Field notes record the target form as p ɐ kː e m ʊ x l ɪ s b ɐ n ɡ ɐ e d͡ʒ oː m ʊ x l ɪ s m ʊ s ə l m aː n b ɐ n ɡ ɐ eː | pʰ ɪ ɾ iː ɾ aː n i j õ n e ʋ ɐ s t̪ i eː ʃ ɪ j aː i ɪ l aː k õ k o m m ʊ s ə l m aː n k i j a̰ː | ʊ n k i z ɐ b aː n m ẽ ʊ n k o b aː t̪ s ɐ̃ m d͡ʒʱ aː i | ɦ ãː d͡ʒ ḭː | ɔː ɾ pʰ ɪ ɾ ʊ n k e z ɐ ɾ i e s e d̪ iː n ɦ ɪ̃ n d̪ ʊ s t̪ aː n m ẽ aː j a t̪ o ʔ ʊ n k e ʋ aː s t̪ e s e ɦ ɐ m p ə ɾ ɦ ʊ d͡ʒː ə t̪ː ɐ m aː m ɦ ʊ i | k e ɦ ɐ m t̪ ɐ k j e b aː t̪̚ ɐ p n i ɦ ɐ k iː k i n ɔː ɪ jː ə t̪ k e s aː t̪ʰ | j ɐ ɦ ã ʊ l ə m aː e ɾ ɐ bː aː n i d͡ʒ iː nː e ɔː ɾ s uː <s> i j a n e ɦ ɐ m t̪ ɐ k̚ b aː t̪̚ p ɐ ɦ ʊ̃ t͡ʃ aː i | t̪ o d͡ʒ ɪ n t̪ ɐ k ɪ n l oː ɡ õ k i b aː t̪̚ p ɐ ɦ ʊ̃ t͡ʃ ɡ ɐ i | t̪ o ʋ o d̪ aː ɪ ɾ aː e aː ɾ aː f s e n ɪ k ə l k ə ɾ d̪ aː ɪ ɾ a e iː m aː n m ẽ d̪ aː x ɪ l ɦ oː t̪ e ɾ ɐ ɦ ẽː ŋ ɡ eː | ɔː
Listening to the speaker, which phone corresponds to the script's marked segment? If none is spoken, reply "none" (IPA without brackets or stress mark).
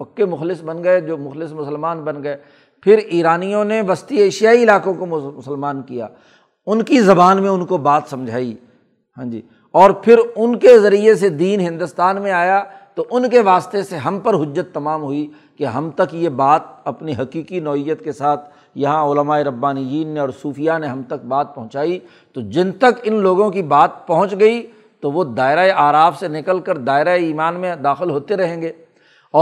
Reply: f